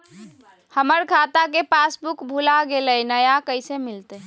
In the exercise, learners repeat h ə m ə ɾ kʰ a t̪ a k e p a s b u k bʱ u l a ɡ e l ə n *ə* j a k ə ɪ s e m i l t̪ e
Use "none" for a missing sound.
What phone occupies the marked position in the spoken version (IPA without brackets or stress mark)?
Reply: ə